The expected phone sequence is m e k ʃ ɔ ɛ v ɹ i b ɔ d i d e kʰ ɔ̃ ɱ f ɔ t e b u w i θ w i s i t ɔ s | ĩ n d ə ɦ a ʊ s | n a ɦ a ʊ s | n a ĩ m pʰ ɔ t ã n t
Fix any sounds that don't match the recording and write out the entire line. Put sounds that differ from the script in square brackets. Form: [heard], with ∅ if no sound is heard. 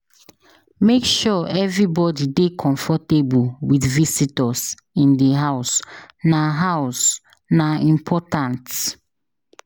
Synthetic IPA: m e k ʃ ɔ ɛ v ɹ i b ɔ d i d e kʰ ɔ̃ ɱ f ɔ t e b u w i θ [v] i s i t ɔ s | ĩ n d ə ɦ a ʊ s | n a ɦ a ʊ s | n a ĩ m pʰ ɔ t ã n t